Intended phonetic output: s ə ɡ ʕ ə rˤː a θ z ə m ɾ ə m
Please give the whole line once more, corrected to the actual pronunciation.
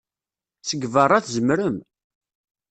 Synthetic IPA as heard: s ə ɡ v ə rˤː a θ z ə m ɾ ə m